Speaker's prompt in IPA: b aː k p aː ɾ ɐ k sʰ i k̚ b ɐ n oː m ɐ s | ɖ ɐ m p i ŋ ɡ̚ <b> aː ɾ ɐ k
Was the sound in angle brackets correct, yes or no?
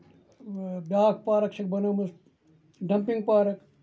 no